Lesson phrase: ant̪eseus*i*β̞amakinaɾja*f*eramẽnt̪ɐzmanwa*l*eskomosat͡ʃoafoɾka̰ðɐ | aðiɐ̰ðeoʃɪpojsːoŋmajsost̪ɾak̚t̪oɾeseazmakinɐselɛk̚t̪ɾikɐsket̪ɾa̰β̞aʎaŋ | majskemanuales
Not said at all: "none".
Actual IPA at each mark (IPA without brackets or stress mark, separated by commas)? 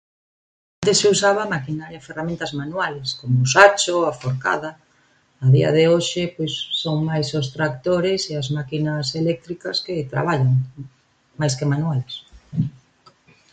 a, f, l